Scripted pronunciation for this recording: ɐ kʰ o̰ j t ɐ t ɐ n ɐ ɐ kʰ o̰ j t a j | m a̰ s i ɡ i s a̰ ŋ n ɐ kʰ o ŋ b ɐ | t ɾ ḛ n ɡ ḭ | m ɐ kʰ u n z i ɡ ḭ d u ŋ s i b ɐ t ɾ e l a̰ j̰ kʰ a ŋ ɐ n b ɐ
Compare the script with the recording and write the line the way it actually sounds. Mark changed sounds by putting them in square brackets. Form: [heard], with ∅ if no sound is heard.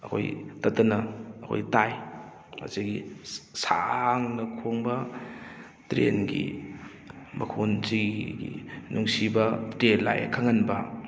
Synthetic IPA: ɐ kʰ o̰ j t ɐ t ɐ n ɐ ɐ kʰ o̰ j t a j | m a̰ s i ɡ i s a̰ ŋ n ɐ kʰ o ŋ b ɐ | t ɾ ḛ n ɡ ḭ | m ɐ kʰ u n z i ɡ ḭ [n] u ŋ s i b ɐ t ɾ e l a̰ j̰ kʰ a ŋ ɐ n b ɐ

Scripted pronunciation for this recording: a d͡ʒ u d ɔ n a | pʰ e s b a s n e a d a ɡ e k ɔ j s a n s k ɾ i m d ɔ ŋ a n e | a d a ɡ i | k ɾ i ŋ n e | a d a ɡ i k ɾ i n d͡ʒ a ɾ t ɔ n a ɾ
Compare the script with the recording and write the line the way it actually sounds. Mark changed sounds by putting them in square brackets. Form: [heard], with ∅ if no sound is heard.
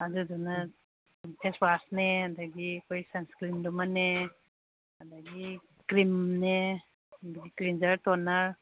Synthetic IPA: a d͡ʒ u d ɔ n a | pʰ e s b a s n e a d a ɡ [i] k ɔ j s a n s k ɾ i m d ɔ [m] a n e | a d a ɡ i | k ɾ i [m] n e | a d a ɡ i k ɾ i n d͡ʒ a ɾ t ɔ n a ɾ

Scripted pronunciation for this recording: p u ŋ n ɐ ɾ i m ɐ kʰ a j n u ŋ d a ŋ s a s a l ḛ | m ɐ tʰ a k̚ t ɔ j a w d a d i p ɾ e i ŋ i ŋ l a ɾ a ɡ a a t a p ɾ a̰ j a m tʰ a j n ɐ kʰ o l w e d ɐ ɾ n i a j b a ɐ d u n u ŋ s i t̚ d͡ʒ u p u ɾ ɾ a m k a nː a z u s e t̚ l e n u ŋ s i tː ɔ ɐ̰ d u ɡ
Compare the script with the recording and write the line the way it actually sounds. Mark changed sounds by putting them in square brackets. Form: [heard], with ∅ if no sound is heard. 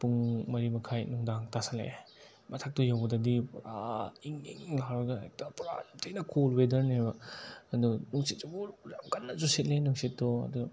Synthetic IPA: p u ŋ [m] ɐ ɾ i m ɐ kʰ a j n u ŋ d a ŋ [t] a s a l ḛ | m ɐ tʰ a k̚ t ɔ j a w d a d i p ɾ [a] i ŋ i ŋ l a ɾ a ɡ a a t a p ɾ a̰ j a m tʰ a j n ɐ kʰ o l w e d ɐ ɾ n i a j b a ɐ d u n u ŋ s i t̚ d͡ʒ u [b] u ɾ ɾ a m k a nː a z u s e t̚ l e n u ŋ s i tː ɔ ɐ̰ d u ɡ

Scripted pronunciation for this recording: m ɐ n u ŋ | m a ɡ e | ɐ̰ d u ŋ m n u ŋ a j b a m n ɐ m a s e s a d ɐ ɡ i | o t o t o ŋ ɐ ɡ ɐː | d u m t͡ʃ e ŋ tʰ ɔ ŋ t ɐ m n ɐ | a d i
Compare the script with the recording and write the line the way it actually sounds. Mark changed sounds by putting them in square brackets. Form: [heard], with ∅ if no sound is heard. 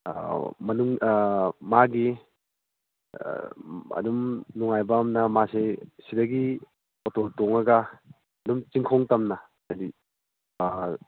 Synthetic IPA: m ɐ n u ŋ | m a ɡ [i] | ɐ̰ d u [∅] m n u ŋ a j b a m n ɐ m a s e s [i] d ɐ ɡ i | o t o t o ŋ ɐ ɡ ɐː | d u m t͡ʃ [i] ŋ [kʰ] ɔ ŋ t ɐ m n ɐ | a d i

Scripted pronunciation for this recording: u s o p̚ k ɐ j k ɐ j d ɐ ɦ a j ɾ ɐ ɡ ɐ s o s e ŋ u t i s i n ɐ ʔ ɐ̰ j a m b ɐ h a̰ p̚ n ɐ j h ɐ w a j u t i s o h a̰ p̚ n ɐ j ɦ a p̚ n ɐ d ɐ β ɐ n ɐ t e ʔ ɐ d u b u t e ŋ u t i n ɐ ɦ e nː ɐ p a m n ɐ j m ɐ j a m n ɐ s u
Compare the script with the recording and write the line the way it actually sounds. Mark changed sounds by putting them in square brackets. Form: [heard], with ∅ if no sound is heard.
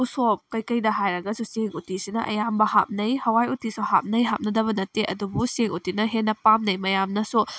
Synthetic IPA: u s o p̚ k ɐ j k ɐ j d ɐ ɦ a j ɾ ɐ ɡ ɐ s [u] s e ŋ u t i s i n ɐ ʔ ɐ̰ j a m b ɐ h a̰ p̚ n ɐ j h ɐ w a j u t i s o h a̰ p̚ n ɐ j ɦ a p̚ n ɐ d ɐ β ɐ n ɐ t e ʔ ɐ d u b u [s] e ŋ u t i n ɐ ɦ e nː ɐ p a m n ɐ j m ɐ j a m n ɐ s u

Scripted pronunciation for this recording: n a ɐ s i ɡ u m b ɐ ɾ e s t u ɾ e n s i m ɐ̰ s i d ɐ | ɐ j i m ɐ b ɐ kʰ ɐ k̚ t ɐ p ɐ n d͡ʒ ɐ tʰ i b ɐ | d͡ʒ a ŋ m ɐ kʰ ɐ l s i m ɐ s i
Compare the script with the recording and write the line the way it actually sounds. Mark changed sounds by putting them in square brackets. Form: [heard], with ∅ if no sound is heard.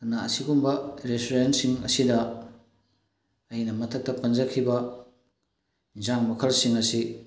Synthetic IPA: n a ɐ s i ɡ u m b ɐ ɾ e s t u ɾ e n s i [ŋ] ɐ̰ s i d ɐ | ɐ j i [n] ɐ [m] ɐ [tʰ] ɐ k̚ t ɐ p ɐ n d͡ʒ ɐ [kʰ] i b ɐ | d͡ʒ a ŋ m ɐ kʰ ɐ l s i [ŋ] ɐ s i

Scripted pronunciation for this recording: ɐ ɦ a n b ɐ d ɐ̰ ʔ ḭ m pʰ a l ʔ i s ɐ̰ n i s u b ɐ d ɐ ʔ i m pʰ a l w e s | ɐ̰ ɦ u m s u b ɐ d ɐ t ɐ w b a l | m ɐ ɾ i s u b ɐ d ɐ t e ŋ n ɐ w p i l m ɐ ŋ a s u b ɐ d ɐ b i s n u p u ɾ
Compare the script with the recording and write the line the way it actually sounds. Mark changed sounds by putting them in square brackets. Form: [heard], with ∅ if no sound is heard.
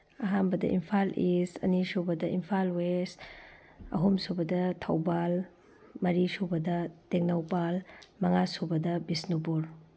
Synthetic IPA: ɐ ɦ a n b ɐ d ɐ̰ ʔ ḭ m pʰ a l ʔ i s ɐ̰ n i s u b ɐ d ɐ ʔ i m pʰ a l w e s | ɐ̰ ɦ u m s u b ɐ d ɐ [tʰ] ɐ w b a l | m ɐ ɾ i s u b ɐ d ɐ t e ŋ n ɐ w p [a] l m ɐ ŋ a s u b ɐ d ɐ b i s n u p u ɾ

